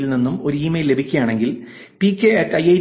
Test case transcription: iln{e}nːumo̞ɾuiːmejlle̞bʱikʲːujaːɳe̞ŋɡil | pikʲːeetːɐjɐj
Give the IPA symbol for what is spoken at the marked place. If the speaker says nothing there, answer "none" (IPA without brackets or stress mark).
i